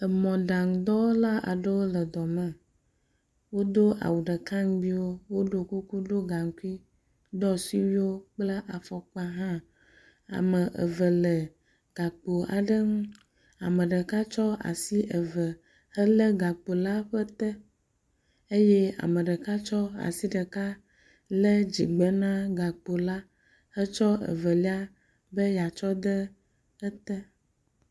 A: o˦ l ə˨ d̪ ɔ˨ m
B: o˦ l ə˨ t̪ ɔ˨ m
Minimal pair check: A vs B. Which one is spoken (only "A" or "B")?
A